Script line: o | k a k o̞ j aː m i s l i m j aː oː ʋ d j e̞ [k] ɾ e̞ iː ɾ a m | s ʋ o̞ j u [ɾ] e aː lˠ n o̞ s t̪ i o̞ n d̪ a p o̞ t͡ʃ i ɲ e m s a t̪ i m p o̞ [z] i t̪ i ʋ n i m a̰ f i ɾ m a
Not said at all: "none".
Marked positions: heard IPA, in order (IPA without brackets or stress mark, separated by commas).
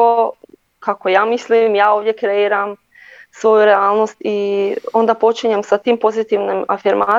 k, ɾ, z